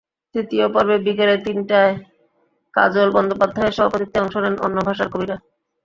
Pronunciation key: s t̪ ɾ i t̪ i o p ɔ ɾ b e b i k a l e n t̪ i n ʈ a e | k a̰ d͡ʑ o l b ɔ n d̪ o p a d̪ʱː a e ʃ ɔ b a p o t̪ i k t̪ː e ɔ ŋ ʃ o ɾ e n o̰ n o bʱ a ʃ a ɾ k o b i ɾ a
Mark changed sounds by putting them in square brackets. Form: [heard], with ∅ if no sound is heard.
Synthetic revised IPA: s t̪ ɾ i t̪ i o p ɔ ɾ b e b i k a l e [∅] t̪ i n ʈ a e | k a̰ d͡ʑ o l b ɔ n d̪ o p a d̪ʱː a e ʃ ɔ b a p o t̪ i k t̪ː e ɔ ŋ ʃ o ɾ e n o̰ [nː] o bʱ a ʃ a ɾ k o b i ɾ a